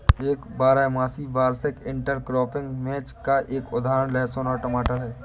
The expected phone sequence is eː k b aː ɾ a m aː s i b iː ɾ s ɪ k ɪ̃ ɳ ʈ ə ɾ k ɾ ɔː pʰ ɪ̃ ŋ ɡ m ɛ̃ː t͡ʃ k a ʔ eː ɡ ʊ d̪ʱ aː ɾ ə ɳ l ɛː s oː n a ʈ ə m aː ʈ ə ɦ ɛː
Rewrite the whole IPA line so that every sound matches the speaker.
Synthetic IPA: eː k b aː ɾ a m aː s i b aː ɾ s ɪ k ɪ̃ ɳ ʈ ə ɾ k ɾ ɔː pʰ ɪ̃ ŋ ɡ m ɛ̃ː t͡ʃ k a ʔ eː k ʊ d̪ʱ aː ɾ ə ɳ l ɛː s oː n a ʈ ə m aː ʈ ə ɦ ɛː